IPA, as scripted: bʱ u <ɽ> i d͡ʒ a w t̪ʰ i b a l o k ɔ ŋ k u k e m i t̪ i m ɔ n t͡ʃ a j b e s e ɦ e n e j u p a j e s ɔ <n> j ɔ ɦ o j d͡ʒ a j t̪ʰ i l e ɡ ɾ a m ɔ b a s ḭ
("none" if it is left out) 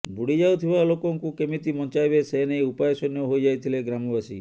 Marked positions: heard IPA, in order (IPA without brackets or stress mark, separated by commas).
ɽ, n